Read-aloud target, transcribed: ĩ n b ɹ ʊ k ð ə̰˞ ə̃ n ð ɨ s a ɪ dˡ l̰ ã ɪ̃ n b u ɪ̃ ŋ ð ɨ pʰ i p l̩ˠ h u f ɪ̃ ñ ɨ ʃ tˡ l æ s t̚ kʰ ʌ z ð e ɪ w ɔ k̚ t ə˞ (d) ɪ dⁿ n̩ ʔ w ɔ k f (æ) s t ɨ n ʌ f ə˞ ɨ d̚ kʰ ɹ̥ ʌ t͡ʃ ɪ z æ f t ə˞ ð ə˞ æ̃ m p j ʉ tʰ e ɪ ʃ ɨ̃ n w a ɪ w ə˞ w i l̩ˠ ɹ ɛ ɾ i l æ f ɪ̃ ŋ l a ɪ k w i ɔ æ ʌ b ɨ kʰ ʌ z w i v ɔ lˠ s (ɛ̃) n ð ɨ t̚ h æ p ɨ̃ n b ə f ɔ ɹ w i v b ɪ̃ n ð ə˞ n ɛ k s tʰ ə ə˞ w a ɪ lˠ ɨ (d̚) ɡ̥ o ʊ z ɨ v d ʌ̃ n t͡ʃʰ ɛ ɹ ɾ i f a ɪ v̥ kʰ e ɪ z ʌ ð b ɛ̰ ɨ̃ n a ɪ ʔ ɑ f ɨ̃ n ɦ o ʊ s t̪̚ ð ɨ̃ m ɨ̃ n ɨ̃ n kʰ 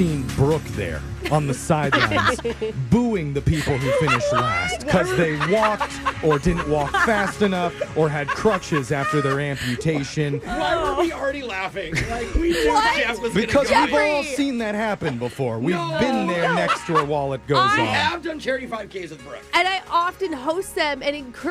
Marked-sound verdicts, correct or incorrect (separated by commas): correct, correct, incorrect, incorrect